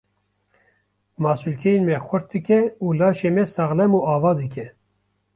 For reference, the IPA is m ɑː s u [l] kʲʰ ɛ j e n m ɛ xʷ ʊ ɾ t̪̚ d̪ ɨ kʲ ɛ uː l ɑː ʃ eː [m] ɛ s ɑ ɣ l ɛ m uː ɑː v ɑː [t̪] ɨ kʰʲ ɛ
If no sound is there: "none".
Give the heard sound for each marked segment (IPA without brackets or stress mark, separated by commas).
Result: l, m, d̪